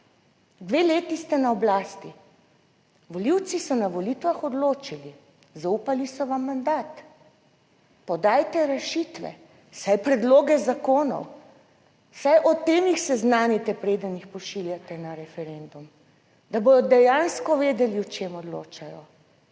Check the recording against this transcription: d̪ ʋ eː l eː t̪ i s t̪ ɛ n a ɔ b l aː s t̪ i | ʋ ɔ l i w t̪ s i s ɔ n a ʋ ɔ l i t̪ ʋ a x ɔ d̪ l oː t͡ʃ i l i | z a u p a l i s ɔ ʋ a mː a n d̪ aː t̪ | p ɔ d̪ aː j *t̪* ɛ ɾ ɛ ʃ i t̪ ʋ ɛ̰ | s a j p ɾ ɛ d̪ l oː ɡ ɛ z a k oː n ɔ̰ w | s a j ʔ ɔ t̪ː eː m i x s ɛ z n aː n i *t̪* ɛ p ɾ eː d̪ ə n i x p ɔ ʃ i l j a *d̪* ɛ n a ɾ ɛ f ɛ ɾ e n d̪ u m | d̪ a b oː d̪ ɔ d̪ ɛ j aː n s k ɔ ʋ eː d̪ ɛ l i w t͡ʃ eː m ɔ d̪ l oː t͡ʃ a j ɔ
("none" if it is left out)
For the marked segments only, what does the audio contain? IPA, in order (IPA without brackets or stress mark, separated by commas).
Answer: t̪, t̪, t̪